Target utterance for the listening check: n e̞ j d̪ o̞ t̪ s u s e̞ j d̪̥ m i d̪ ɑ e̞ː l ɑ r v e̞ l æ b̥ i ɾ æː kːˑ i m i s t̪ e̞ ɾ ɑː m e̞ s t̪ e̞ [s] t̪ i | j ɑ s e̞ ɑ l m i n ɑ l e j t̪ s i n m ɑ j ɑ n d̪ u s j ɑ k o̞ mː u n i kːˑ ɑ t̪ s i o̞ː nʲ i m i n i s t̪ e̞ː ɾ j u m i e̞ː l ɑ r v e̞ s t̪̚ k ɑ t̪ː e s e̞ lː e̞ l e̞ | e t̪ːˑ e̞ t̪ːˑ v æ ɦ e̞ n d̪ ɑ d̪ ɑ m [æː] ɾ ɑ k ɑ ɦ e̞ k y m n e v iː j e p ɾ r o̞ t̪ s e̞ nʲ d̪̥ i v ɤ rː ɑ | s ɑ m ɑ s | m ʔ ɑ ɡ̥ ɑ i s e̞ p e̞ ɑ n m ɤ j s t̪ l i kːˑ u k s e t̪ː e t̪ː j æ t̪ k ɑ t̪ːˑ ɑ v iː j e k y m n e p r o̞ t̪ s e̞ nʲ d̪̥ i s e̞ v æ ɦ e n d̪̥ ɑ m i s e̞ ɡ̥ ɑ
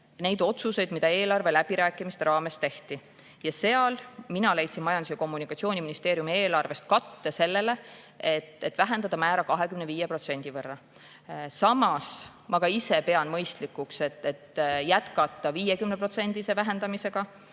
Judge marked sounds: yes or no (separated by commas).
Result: no, yes